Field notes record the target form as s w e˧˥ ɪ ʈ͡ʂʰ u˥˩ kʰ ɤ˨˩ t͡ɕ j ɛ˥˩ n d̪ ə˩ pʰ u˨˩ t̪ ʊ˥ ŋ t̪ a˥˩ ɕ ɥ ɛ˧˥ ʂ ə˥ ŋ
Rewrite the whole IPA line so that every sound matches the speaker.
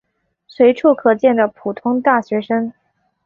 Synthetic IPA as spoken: s w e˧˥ ɪ ʈ͡ʂʰ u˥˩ kʰ ɤ˨˩ t͡ɕ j ɛ˥˩ n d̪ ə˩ pʰ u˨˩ t̪ʰ ʊ˥ ŋ t̪ a˥˩ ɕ ɥ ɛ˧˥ ʂ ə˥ ŋ